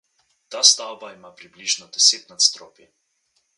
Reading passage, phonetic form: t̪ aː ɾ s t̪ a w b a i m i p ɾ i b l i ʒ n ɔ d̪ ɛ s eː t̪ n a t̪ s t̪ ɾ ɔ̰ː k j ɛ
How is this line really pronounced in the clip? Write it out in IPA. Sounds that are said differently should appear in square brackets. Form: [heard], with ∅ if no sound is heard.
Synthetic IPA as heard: t̪ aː [∅] s t̪ a w b a i m [a] p ɾ i b l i ʒ n ɔ d̪ ɛ s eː t̪ n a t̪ s t̪ ɾ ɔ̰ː [p] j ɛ